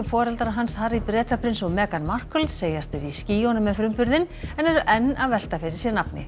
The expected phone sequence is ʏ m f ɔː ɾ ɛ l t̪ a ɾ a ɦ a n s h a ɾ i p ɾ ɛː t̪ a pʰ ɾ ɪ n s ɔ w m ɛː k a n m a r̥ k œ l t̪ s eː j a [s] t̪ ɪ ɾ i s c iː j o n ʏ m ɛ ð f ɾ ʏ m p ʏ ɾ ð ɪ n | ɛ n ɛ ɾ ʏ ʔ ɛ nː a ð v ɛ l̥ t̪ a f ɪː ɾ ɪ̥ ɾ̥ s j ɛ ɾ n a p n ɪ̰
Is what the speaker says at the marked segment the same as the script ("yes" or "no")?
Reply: yes